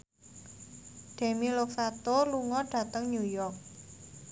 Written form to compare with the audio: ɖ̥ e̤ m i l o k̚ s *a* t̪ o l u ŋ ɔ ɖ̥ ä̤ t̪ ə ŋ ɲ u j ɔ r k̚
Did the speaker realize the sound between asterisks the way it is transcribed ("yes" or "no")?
yes